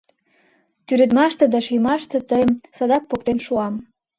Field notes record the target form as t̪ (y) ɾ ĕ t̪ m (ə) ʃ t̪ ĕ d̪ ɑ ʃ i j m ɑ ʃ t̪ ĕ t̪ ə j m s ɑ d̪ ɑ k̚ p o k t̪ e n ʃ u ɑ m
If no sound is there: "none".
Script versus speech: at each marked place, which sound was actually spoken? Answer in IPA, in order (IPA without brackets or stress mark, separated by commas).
y, ɑ